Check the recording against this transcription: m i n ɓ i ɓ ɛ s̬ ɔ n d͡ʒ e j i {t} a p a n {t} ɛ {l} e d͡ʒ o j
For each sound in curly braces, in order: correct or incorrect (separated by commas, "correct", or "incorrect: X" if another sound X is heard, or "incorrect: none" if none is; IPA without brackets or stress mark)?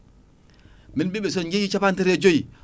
incorrect: t͡ʃ, correct, incorrect: ɾ